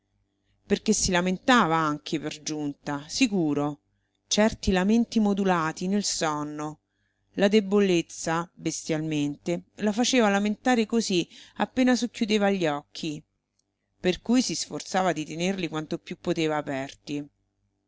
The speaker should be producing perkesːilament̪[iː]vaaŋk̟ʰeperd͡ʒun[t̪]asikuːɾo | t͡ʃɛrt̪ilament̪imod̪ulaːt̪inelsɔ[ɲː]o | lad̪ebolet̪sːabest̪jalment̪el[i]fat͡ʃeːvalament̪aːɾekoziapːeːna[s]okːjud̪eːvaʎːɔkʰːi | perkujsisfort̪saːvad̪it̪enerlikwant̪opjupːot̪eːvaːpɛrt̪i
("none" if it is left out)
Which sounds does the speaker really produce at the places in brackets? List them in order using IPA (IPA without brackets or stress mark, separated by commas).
aː, t̪, nː, a, s